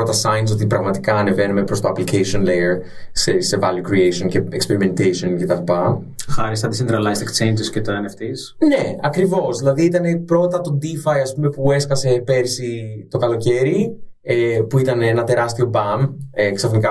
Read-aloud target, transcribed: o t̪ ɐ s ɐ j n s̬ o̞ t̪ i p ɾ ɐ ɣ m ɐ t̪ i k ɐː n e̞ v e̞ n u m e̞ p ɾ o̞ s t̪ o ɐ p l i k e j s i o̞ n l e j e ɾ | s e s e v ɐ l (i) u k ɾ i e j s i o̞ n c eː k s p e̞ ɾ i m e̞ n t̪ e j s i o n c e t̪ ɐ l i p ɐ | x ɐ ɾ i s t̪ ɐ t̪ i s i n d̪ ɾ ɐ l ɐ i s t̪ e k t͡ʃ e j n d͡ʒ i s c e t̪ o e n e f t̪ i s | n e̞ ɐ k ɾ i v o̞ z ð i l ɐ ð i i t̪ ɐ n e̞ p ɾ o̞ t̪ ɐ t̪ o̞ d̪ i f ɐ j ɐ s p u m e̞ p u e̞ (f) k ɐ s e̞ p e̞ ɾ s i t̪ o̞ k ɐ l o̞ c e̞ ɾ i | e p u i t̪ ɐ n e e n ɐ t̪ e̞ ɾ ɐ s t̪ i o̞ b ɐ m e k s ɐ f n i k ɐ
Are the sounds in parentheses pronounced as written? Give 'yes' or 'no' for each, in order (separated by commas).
no, no